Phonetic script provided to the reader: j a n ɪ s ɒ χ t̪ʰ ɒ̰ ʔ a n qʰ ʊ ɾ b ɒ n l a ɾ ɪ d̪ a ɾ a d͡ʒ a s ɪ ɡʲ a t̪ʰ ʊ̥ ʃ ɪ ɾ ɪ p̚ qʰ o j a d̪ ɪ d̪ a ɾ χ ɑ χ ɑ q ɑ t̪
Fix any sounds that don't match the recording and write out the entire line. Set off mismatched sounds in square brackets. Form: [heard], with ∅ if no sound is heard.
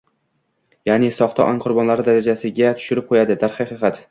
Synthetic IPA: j a n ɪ s ɒ χ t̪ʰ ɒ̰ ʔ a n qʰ ʊ ɾ b ɒ n l a ɾ ɪ d̪ a ɾ a d͡ʒ a s ɪ ɡʲ a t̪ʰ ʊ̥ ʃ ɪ ɾ ɪ p̚ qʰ o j a d̪ ɪ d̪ a ɾ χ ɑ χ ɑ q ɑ t̪

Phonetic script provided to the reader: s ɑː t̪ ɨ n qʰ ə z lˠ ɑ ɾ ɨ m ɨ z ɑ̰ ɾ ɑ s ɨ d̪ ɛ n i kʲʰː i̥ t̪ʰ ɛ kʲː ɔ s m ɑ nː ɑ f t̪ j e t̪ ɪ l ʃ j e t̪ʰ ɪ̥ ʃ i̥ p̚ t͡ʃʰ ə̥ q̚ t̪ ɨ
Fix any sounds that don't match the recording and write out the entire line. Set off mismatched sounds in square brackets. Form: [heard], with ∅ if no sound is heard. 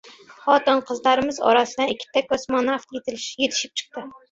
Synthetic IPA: [χ] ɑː t̪ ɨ n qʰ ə z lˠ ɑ ɾ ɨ m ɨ z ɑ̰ ɾ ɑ s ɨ d̪ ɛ n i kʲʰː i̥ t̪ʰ ɛ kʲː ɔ s m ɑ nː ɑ f t̪ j e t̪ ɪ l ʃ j e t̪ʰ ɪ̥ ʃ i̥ p̚ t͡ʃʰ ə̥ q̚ t̪ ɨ

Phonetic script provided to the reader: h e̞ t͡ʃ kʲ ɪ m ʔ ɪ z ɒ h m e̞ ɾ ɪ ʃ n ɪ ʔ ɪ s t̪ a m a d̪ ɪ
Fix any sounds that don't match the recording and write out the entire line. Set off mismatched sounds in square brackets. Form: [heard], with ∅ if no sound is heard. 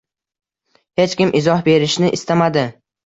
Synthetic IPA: h e̞ t͡ʃ kʲ ɪ m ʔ ɪ z ɒ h [b] e̞ ɾ ɪ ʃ n ɪ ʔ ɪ s t̪ a m a d̪ ɪ

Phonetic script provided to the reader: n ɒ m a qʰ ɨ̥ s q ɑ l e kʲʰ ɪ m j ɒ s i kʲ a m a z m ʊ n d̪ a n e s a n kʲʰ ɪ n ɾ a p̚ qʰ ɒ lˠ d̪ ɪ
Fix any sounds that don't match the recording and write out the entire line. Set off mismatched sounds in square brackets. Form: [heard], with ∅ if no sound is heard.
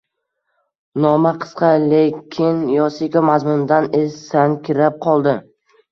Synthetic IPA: n ɒ m a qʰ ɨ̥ s q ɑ l e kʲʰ ɪ [n] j ɒ s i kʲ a m a z m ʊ n d̪ a n e s a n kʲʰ ɪ [∅] ɾ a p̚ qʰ ɒ lˠ d̪ ɪ

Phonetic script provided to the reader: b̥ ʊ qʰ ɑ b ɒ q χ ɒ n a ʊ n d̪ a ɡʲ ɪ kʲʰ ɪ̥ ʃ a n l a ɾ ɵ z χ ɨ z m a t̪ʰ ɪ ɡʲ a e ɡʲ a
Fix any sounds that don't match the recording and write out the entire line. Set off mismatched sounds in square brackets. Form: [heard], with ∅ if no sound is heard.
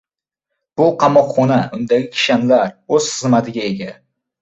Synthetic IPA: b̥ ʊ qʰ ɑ [m] ɒ q χ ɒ n a ʊ n d̪ a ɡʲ ɪ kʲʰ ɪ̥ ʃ a n l a ɾ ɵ z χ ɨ z m a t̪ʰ ɪ ɡʲ a e ɡʲ a

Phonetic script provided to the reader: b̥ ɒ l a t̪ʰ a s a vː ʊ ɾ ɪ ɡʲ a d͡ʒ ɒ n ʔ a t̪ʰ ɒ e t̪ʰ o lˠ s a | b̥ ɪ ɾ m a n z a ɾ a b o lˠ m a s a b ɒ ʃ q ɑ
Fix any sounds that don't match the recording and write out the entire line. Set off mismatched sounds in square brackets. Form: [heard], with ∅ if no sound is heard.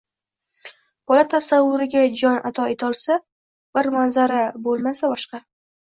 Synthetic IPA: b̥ ɒ l a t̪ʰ a s a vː ʊ ɾ ɪ ɡʲ a d͡ʒ ɒ n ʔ a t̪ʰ ɒ e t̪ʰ [ɒ] lˠ s a | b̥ ɪ ɾ m a n z a ɾ a b o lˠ m a s a b ɒ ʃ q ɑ

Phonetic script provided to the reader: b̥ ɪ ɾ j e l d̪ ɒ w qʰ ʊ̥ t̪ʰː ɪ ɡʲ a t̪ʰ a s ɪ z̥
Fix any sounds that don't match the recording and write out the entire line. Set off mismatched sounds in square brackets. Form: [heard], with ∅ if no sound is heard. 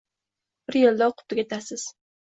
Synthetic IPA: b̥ ɪ ɾ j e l d̪ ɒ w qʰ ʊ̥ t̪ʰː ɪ ɡʲ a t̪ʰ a s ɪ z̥

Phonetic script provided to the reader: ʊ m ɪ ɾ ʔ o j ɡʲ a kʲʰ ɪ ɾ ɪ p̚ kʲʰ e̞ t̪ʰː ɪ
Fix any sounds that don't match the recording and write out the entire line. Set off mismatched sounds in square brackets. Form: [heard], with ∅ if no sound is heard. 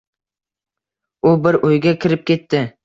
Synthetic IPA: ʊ [b] ɪ ɾ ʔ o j ɡʲ a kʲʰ ɪ ɾ ɪ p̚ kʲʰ e̞ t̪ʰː ɪ

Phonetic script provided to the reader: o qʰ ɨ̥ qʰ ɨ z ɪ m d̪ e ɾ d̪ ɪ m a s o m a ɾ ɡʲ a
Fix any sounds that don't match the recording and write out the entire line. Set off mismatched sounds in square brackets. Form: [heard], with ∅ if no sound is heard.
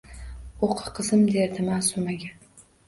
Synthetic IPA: o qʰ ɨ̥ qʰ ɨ z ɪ m d̪ e ɾ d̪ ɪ m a s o m a [∅] ɡʲ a

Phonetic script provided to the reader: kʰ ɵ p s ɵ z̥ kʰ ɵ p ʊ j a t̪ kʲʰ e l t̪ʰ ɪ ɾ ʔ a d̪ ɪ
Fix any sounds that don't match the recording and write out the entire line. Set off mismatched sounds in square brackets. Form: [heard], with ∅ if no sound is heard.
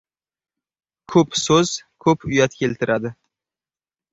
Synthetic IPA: kʰ ɵ p s ɵ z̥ kʰ ɵ p ʊ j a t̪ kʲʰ e l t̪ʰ ɪ ɾ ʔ a d̪ ɪ

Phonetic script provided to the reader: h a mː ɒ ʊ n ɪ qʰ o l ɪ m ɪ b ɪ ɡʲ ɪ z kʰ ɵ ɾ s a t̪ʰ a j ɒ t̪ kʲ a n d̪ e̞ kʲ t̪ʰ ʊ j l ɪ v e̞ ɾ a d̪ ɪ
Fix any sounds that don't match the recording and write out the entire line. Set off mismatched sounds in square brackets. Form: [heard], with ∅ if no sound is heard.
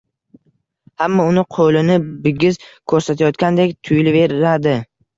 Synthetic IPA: h a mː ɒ ʊ n ɪ qʰ o l ɪ [n] ɪ b ɪ ɡʲ ɪ z kʰ ɵ ɾ s a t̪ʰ a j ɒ t̪ kʲ a n d̪ e̞ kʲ t̪ʰ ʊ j l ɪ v e̞ ɾ a d̪ ɪ

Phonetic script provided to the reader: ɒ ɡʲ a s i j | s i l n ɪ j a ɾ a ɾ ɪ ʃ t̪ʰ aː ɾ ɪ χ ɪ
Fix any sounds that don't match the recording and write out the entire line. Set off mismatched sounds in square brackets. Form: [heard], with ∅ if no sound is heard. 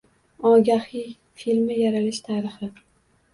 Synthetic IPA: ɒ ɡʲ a [h] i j | [f] i l [m] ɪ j a ɾ a [l] ɪ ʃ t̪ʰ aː ɾ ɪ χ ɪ

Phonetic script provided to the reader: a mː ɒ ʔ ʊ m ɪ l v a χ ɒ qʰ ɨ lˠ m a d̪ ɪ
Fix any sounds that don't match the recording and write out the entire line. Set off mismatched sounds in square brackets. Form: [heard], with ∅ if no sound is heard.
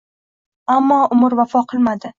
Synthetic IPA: a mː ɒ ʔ ʊ m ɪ [ɾ] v a [f] ɒ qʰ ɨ lˠ m a d̪ ɪ

